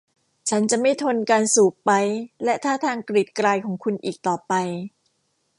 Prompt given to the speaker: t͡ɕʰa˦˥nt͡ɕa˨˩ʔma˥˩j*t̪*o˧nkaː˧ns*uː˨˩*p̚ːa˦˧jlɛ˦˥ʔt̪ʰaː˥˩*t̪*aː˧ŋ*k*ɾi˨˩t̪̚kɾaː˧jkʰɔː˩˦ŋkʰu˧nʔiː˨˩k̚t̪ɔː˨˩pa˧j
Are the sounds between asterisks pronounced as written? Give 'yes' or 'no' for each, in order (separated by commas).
no, yes, no, yes